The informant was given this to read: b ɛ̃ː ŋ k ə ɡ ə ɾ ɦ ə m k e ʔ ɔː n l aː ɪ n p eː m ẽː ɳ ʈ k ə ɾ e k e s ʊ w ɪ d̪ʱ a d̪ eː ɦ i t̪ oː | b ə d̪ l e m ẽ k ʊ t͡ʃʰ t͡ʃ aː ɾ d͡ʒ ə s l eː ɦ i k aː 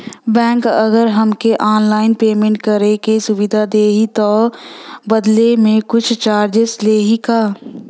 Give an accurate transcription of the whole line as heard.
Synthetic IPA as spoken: b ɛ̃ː ŋ k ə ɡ ə ɾ ɦ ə m k e ʔ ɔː n l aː ɪ n p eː m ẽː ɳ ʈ k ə ɾ e k e s ʊ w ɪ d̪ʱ a d̪ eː ɦ i t̪ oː | b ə d̪ l e m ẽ k ʊ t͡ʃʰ t͡ʃ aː ɾ d͡ʒ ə s l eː ɦ i k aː